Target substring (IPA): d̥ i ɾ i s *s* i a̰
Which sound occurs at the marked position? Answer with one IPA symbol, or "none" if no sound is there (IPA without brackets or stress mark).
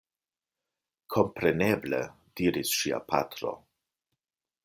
ʃ